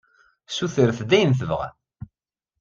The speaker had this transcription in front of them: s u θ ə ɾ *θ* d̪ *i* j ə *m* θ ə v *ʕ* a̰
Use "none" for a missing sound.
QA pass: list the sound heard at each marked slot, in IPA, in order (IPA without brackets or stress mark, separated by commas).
θ, æ, n, ʁ